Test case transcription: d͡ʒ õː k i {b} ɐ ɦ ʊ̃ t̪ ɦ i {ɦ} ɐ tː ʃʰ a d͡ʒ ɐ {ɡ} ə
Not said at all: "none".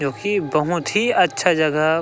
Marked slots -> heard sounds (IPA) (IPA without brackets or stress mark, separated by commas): b, none, ɡ